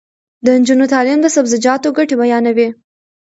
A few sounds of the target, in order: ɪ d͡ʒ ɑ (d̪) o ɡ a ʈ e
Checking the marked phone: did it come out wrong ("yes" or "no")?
yes